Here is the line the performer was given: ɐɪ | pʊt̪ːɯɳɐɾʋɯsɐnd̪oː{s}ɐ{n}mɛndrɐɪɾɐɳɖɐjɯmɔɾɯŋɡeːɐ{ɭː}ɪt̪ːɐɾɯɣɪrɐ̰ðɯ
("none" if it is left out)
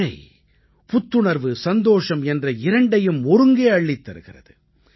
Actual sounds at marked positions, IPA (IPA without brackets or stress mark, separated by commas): ʂ, none, ɭː